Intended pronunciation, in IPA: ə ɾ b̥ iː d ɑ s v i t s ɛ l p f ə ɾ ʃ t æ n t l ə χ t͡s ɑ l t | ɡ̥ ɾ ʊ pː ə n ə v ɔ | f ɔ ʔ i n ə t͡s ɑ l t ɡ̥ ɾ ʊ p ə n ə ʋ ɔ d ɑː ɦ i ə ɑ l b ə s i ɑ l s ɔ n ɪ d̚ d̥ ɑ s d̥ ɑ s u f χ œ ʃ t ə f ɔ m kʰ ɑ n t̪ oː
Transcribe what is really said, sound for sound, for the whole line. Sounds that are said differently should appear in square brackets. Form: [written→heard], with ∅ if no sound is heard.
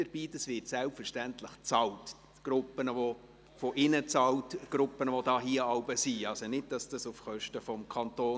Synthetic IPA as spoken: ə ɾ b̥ iː d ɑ s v [i→ɪ] t s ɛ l p f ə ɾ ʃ t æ n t l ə χ t͡s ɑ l t | ɡ̥ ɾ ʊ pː ə n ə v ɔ | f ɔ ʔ [i→ɪ] n ə t͡s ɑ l t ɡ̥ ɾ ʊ p ə n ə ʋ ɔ d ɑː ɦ i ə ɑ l b ə s i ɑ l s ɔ n ɪ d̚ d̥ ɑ s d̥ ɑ s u f χ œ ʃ t ə f ɔ m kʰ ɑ n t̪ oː

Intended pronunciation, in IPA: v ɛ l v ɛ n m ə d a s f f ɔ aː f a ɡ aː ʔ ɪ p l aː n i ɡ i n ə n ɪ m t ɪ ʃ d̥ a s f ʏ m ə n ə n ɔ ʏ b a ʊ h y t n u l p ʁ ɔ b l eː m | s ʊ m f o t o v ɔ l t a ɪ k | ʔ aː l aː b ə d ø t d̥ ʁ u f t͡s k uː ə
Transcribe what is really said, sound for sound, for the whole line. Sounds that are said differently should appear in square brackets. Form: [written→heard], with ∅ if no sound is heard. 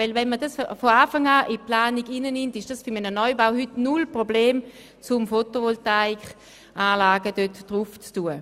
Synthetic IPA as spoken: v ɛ l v ɛ n m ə d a s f f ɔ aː f a [ɡ→ŋ] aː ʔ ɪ p l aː n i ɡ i n ə n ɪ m t ɪ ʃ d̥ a s f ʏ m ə n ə n ɔ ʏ b a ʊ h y t n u l p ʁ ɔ b l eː m | [s→t͡s] ʊ m f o t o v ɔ l t a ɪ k | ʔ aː l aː [b→ɡ] ə d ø t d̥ ʁ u f t͡s [k→t] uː ə

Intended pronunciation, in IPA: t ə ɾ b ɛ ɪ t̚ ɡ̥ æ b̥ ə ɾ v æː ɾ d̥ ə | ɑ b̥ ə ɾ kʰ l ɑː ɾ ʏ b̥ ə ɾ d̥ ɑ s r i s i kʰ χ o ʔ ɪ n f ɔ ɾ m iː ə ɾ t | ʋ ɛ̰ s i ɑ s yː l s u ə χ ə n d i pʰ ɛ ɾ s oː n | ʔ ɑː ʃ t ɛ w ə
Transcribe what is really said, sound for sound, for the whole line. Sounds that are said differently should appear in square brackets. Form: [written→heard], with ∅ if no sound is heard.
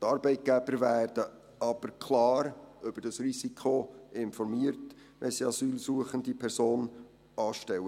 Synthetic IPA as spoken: t [ə→ɑ] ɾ b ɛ ɪ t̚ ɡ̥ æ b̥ ə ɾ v æː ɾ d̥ ə | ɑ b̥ ə ɾ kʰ l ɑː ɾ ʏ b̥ ə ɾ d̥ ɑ s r i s i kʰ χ o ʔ ɪ n f ɔ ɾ m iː ə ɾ t | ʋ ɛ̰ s i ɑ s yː l s u ə χ ə n d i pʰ ɛ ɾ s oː n | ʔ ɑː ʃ t ɛ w ə

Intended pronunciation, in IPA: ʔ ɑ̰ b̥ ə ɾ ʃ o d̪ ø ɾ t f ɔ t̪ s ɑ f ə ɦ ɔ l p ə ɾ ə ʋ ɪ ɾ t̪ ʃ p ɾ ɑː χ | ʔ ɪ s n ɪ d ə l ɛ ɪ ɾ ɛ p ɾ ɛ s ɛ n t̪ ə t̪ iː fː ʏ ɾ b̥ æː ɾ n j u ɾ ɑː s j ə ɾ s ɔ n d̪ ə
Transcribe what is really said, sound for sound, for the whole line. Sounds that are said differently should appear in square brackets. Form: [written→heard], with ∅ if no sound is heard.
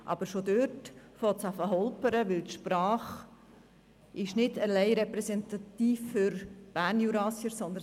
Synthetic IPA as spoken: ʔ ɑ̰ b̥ ə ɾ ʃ o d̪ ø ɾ t f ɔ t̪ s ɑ f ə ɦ ɔ l p ə ɾ ə ʋ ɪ [ɾ→l] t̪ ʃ p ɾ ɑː χ | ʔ ɪ [s→ʃ] n ɪ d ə l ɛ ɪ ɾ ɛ p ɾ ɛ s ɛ n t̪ [ə→ɑ] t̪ iː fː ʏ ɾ b̥ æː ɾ n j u ɾ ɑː s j ə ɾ s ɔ n d̪ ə

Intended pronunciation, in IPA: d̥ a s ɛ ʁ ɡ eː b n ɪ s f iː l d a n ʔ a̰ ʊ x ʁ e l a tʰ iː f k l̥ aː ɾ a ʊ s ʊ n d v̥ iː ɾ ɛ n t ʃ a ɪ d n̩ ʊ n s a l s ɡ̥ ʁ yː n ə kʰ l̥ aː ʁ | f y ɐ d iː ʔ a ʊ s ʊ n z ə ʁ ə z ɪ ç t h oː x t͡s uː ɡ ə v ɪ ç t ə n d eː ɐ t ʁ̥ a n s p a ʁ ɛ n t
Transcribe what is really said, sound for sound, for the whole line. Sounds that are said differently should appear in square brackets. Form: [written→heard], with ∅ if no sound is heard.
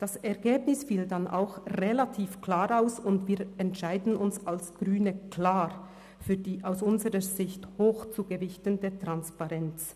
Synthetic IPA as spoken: d̥ a s ɛ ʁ ɡ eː b n ɪ s f iː l d a n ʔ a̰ ʊ x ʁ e l a tʰ iː f k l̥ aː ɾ a ʊ s ʊ n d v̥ iː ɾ ɛ n t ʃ a ɪ d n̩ ʊ n s a l s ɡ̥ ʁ yː n ə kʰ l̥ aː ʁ | f [y→yː] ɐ d iː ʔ a ʊ s ʊ n z ə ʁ ə z ɪ ç t h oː x t͡s uː ɡ ə v ɪ ç t ə n d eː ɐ t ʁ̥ a n s p a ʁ ɛ n [t→t͡s]

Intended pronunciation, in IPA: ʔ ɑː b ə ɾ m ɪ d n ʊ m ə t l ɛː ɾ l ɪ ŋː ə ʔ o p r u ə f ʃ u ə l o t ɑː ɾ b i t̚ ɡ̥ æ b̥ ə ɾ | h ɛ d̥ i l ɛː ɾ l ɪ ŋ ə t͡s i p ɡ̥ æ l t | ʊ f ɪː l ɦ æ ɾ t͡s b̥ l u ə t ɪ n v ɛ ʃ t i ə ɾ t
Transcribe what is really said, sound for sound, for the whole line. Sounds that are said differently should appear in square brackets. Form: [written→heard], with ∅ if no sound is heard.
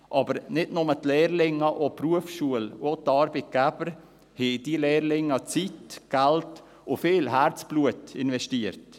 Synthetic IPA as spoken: ʔ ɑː b ə ɾ [m→n] ɪ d n ʊ m ə t l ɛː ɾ l ɪ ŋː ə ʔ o p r u ə f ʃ u ə l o t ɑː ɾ b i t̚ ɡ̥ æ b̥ ə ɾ | h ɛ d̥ i l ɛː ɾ l ɪ ŋ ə t͡s i [p→t] ɡ̥ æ l t | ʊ f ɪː l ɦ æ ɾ t͡s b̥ l u ə t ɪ n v ɛ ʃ t i ə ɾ t

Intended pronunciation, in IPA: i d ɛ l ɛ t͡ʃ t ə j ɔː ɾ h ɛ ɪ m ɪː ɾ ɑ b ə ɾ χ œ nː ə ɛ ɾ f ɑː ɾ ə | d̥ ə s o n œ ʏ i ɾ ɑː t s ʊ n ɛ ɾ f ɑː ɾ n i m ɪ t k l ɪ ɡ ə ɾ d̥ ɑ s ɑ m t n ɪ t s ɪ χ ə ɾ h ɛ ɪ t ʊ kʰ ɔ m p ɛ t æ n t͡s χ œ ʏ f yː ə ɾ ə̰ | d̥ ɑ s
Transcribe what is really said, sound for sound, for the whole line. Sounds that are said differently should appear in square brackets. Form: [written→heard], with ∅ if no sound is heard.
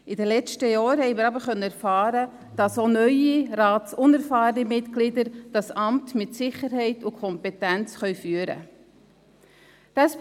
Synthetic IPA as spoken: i d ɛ l ɛ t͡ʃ t ə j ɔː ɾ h ɛ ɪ m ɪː ɾ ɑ b ə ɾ χ œ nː ə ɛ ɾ f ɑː ɾ ə | d̥ [ə→ɑ] s o n œ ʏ i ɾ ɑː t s ʊ n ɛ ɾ f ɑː ɾ n i m ɪ t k l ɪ [ɡ→d] ə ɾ d̥ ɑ s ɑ m t [n→m] ɪ t s ɪ χ ə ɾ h ɛ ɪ t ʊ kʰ ɔ m p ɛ t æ n t͡s χ œ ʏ f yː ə ɾ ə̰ | d̥ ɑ s

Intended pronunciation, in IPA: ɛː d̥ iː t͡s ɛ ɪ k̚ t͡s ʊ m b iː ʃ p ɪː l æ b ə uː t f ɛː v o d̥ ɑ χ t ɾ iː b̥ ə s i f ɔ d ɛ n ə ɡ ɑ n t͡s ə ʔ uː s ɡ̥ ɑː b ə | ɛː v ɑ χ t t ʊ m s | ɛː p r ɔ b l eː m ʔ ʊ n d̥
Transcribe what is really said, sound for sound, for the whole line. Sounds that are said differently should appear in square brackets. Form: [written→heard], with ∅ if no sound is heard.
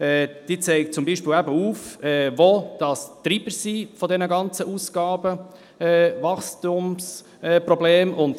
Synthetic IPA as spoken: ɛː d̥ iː t͡s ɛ ɪ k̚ t͡s ʊ m b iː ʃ p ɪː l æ b ə uː [t→∅] f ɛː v o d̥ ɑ [χ→s] t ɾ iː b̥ ə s i f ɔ d ɛ n ə ɡ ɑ n t͡s ə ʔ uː s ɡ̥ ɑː b ə | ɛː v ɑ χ [t→s] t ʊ m s | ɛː p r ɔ b l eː m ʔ ʊ n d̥

